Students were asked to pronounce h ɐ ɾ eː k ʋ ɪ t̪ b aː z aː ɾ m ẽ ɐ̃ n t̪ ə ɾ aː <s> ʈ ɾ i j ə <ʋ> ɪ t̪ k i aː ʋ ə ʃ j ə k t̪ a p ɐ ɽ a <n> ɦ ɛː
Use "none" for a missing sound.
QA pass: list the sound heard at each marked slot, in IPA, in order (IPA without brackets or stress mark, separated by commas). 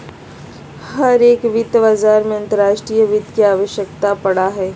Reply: ʃ, ʋ, none